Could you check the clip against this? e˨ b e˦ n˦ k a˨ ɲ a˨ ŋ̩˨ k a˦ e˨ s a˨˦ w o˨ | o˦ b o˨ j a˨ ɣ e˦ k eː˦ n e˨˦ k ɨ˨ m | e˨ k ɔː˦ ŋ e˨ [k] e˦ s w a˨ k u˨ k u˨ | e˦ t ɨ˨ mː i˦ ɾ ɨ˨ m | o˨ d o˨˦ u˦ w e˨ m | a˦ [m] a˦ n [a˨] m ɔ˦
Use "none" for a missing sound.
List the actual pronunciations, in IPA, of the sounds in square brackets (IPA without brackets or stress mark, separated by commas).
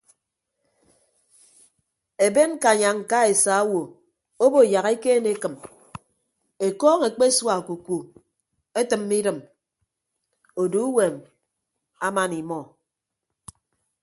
k͡p, m, i˨